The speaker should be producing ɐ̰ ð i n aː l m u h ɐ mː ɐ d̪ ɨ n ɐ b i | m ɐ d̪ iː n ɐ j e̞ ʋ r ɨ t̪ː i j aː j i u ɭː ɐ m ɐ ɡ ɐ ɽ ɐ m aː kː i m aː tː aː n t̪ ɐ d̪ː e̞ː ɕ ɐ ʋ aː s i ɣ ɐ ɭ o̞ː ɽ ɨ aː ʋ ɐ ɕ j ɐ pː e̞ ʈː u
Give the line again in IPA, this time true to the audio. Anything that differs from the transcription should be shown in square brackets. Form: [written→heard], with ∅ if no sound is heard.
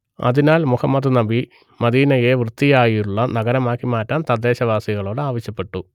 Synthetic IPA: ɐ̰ ð i n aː l m u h ɐ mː ɐ d̪ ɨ n ɐ b i | m ɐ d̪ iː n ɐ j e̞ ʋ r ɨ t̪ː i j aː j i u ɭː ɐ [m→n] ɐ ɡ ɐ [ɽ→ɾ] ɐ m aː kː i m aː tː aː n t̪ ɐ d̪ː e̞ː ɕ ɐ ʋ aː s i ɣ ɐ ɭ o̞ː ɽ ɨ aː ʋ ɐ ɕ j ɐ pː e̞ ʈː u